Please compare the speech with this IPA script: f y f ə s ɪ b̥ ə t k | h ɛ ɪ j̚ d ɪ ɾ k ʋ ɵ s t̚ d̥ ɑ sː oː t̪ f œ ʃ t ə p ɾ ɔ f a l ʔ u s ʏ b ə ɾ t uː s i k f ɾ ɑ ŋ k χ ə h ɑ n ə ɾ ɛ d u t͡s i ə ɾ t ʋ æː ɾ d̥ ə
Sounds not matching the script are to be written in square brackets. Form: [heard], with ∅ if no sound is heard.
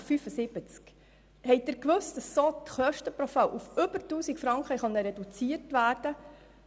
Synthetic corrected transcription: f y f ə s ɪ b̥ ə [t͡s] k | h ɛ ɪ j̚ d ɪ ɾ k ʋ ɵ s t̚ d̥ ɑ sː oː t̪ [χ] œ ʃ t ə p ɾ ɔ f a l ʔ u [f] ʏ b ə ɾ t uː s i k f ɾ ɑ ŋ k χ ə [χ] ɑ n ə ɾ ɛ d u t͡s i ə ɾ t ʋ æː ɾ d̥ ə